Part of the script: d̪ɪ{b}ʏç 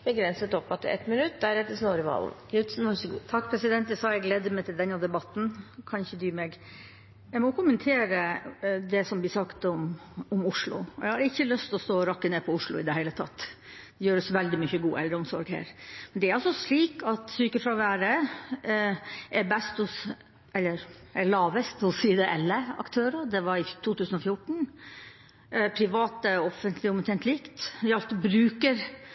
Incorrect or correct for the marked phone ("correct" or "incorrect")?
incorrect